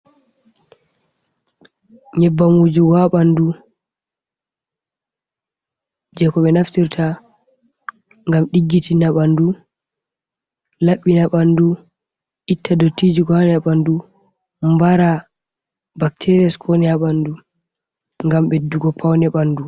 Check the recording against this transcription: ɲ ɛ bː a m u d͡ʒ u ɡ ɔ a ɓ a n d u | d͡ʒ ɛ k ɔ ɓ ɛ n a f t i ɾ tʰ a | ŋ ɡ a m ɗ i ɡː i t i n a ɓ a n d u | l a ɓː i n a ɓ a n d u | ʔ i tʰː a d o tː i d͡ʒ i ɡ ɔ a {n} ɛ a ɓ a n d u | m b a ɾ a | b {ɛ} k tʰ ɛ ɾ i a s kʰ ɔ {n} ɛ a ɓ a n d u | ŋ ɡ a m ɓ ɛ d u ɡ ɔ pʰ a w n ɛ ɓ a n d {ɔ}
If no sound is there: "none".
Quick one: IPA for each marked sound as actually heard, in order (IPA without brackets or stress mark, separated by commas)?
n, a, n, u